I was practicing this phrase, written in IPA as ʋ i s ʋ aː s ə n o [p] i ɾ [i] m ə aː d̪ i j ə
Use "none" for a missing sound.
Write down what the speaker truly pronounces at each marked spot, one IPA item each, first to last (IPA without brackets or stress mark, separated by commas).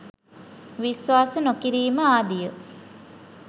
k, iː